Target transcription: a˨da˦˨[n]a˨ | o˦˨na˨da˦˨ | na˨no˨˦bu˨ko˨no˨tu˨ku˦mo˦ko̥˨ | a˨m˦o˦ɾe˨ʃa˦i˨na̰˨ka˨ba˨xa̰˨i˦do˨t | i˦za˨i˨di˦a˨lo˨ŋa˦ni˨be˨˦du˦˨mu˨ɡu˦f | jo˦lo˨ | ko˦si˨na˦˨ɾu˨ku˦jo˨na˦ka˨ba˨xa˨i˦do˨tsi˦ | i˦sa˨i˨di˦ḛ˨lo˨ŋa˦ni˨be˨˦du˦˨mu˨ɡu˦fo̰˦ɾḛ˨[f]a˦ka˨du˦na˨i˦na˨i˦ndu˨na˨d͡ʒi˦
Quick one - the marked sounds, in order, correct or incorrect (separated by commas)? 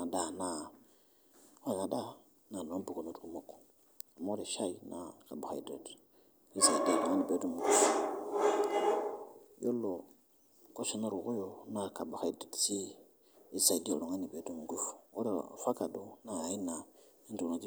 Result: correct, correct